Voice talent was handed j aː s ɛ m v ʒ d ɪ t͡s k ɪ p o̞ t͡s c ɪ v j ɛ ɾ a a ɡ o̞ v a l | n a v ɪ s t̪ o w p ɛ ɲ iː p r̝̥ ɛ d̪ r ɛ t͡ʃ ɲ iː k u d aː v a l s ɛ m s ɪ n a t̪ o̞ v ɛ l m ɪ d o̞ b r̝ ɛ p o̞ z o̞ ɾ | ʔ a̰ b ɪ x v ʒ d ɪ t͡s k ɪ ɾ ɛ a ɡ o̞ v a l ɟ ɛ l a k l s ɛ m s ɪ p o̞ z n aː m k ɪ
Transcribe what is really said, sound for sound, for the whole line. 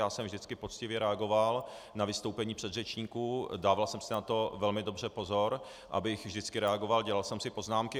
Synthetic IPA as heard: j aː s ɛ m v ʒ d ɪ t͡s k ɪ p o̞ t͡s c ɪ v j ɛ ɾ ɛ a ɡ o̞ v a l | n a v ɪ s t̪ o w p ɛ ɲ iː p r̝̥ ɛ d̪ r ɛ t͡ʃ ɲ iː k u d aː v a l s ɛ m s ɪ n a t̪ o̞ v ɛ l m ɪ d o̞ b r̝ ɛ p o̞ z o̞ ɾ | ʔ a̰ b ɪ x v ʒ d ɪ t͡s k ɪ ɾ ɛ a ɡ o̞ v a l ɟ ɛ l a l s ɛ m s ɪ p o̞ z n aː m k ɪ